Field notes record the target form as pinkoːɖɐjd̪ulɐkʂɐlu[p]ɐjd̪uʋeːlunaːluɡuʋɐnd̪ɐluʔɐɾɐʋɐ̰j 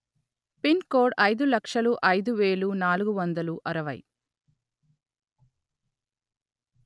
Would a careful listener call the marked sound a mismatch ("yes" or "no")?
yes